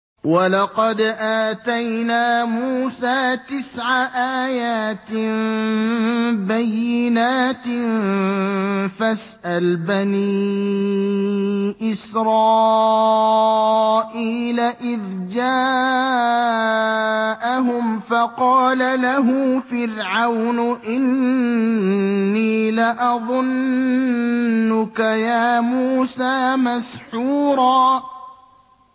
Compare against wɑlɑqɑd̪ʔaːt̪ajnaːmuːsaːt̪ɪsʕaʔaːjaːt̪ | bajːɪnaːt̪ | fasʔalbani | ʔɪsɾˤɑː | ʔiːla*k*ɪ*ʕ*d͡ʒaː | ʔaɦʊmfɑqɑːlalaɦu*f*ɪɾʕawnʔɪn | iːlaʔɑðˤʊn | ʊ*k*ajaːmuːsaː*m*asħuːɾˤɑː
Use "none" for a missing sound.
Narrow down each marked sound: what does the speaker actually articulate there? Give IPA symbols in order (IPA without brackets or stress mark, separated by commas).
ʔ, ð, f, k, m